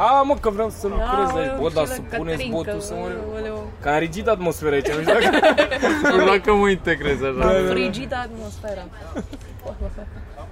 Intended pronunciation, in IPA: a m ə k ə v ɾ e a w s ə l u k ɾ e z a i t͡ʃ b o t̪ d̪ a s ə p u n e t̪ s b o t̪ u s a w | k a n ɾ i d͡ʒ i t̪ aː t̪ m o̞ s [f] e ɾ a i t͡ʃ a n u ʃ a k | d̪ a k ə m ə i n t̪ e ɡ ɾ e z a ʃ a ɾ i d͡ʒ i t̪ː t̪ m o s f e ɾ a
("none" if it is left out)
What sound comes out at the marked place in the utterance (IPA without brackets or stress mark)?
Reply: f